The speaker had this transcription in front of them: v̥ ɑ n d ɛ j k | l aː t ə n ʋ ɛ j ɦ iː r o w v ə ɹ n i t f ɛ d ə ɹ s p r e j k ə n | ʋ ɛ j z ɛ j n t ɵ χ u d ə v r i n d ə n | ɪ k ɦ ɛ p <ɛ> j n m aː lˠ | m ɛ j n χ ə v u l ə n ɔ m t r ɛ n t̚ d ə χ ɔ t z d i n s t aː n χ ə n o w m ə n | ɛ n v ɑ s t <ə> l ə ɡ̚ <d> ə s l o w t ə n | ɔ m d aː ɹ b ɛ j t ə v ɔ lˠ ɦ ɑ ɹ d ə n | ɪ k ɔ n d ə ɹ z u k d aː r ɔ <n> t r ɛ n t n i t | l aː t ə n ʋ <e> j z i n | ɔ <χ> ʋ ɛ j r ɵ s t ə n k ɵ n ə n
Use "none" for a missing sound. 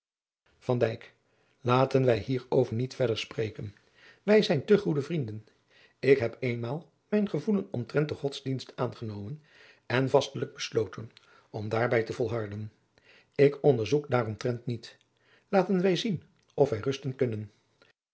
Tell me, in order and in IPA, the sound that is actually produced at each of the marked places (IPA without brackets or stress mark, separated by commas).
e, ə, b, m, ɛ, f